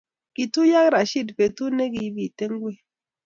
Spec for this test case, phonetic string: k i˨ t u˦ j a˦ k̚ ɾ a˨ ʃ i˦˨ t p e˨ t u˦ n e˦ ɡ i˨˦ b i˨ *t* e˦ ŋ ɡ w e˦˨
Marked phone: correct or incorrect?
correct